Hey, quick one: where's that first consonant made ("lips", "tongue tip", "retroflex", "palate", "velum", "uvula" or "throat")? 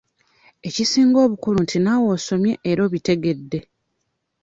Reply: palate